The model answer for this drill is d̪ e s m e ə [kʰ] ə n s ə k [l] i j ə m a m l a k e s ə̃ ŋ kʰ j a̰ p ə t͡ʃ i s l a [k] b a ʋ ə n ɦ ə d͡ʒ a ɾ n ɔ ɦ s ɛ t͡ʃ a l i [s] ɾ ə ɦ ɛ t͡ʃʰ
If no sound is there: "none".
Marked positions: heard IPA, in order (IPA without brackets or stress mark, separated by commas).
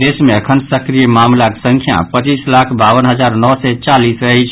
kʰ, ɾ, kʰ, s